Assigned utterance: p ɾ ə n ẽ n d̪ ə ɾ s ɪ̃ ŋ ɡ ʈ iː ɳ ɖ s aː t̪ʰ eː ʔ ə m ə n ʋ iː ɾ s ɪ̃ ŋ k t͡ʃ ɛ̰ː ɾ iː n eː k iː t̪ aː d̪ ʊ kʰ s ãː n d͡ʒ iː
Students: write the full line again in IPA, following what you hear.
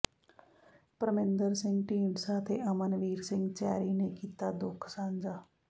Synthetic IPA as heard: p ɾ ə m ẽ n d̪ ə ɾ s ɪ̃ ŋ ɡ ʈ iː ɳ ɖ s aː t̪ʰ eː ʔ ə m ə n ʋ iː ɾ s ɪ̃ ŋ ɡ t͡ʃ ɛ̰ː ɾ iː n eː k iː t̪ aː d̪ ʊ kʰ s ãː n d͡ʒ aː